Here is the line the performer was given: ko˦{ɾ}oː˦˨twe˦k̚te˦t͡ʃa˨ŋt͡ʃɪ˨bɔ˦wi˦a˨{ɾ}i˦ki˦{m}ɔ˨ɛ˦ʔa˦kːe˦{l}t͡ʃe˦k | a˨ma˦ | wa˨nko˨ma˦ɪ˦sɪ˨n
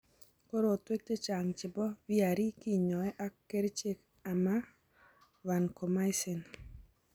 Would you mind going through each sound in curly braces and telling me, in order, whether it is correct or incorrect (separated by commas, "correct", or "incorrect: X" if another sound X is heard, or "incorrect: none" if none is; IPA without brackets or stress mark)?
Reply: correct, correct, incorrect: ɲ, incorrect: ɾ